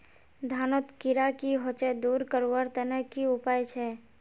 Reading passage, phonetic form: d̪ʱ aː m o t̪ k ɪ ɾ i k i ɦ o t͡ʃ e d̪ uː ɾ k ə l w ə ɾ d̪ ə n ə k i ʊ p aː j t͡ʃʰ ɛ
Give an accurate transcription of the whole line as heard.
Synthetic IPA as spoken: d̪ʱ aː n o t̪ k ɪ ɾ a k i ɦ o t͡ʃ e d̪ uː ɾ k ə ɾ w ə ɾ t̪ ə n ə k i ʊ p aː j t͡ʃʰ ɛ